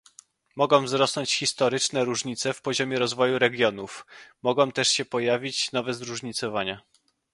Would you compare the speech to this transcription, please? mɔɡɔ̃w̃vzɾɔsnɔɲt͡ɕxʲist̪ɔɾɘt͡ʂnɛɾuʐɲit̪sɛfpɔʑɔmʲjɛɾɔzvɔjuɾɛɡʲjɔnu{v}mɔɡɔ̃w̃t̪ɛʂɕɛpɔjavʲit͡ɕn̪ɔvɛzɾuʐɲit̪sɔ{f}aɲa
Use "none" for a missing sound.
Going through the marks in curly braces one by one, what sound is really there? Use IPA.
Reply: f, v

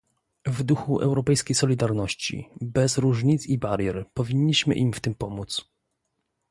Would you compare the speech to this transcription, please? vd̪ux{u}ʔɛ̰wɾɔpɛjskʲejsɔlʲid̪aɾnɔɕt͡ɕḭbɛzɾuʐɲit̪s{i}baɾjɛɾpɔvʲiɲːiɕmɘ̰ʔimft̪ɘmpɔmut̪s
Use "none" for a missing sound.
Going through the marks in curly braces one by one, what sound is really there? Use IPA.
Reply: u, i

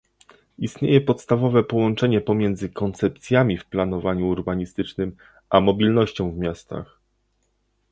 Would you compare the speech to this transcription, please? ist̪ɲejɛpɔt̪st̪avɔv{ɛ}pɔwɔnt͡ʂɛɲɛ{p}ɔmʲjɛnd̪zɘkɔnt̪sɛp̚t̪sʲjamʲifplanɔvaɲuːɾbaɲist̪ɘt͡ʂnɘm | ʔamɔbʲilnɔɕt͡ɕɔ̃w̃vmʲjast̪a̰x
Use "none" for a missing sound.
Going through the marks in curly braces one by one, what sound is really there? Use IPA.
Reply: ɛ, p

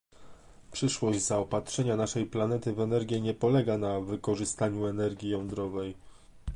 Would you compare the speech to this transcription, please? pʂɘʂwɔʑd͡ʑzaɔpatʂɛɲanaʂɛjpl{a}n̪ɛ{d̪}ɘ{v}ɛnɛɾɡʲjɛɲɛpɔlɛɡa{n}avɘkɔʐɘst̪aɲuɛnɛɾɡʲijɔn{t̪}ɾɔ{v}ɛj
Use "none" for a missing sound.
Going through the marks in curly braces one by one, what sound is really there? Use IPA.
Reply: a, t̪, v, n, d̪, v

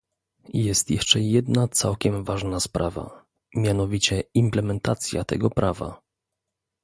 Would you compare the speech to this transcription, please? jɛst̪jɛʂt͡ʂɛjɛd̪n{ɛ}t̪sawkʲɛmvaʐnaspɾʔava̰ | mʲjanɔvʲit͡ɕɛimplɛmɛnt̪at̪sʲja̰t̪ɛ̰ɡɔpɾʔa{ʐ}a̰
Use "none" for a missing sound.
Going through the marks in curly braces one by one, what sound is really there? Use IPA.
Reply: a, v

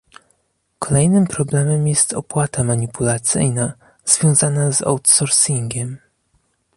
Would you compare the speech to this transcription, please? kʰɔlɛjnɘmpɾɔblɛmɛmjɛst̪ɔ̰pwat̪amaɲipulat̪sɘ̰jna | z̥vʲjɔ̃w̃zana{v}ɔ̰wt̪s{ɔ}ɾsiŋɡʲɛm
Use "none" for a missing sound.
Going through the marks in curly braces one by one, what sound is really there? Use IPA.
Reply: z, ɔ

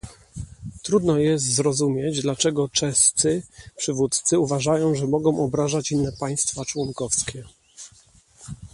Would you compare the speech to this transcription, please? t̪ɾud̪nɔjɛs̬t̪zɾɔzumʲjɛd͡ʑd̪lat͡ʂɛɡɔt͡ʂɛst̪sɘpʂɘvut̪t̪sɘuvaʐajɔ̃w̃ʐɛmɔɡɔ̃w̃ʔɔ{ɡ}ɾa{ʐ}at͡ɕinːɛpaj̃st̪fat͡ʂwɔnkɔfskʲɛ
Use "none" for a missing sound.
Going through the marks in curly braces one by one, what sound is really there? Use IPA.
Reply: b, ʐ

